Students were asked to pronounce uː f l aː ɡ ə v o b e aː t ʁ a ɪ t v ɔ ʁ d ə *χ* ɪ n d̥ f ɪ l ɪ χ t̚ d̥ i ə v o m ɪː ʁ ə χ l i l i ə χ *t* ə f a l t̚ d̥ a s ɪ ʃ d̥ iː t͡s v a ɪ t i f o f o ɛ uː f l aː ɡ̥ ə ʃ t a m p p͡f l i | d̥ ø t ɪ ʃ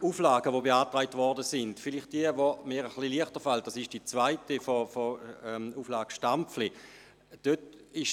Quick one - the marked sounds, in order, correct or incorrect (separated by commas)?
incorrect, correct